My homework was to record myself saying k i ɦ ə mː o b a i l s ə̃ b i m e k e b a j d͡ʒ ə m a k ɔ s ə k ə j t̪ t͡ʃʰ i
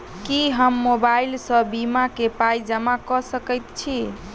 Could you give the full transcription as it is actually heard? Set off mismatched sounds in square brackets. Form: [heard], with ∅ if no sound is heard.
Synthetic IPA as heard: k i ɦ ə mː o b a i l s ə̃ b i m [a] k e [p] a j d͡ʒ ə m a k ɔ s ə k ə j t̪ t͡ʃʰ i